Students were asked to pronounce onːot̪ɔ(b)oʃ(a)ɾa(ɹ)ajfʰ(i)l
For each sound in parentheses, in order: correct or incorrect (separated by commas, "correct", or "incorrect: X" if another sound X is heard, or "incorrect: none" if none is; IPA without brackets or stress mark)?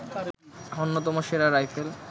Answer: incorrect: m, incorrect: e, incorrect: ɾ, incorrect: e